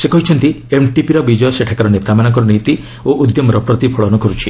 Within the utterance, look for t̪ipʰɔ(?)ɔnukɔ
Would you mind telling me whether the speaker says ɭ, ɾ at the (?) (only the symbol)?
ɭ